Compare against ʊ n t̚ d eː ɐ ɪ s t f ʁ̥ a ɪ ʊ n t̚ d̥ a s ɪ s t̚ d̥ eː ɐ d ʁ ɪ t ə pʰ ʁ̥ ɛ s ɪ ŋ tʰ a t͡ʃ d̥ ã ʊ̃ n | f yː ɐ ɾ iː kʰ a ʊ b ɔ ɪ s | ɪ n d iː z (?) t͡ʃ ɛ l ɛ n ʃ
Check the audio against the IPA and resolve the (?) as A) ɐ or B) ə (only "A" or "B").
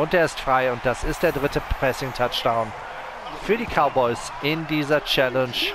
A